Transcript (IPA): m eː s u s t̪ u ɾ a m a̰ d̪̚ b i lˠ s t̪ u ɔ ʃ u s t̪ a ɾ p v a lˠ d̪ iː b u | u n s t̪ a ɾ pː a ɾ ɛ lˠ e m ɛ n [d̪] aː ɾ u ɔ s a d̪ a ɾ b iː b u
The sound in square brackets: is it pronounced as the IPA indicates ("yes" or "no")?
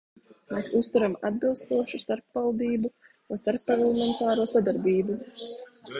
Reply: no